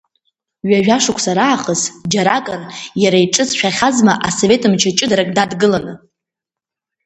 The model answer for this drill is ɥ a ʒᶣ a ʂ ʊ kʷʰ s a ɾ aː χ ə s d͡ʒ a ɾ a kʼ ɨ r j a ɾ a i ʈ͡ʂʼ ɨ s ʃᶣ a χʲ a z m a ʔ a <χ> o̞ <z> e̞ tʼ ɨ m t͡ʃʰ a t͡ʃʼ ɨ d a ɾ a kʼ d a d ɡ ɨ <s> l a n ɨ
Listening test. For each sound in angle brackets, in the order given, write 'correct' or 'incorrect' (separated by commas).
incorrect, incorrect, incorrect